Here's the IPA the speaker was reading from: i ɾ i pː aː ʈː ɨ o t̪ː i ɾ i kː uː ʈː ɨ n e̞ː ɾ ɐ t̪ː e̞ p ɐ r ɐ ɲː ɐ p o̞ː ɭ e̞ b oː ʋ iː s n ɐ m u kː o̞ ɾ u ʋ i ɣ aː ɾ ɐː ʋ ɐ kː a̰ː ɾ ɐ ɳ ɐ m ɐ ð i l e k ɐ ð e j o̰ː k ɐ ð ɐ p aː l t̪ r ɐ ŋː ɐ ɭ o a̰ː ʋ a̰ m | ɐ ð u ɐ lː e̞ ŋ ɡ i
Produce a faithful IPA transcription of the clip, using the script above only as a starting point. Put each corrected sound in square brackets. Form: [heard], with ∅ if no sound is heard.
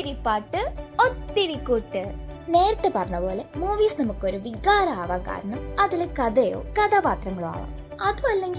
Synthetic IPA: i ɾ i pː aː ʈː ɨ o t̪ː i ɾ i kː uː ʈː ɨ n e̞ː ɾ ɐ t̪ː e̞ p ɐ r ɐ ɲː ɐ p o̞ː [l] e̞ [m] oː ʋ iː s n ɐ m u kː o̞ ɾ u ʋ i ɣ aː ɾ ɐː ʋ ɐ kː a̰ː ɾ ɐ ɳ ɐ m ɐ ð i l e k ɐ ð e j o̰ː k ɐ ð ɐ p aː [∅] t̪ r ɐ ŋː ɐ ɭ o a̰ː ʋ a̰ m | ɐ ð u ɐ lː e̞ ŋ ɡ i